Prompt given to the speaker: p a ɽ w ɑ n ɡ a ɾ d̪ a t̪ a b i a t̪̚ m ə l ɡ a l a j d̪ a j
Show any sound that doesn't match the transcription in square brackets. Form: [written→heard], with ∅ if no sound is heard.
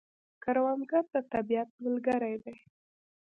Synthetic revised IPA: [p→k] a [ɽ→ɾ] w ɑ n ɡ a ɾ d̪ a t̪ a b i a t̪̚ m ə l ɡ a [l→ɾ] a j d̪ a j